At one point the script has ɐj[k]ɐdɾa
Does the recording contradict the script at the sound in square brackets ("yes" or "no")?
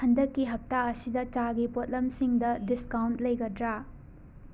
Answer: yes